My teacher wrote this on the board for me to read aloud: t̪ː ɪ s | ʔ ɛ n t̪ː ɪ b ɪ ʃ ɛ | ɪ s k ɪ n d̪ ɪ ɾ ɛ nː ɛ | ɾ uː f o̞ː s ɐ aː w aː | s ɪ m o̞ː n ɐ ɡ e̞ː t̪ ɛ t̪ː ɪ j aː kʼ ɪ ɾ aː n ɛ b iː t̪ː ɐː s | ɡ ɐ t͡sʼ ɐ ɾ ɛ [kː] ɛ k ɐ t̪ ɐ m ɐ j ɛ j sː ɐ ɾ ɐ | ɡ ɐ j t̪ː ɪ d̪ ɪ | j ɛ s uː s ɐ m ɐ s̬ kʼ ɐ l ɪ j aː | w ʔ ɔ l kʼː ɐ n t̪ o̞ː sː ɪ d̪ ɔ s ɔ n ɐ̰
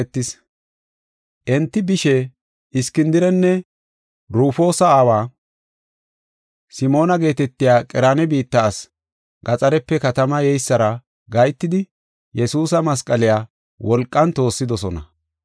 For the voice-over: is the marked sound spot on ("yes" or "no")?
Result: no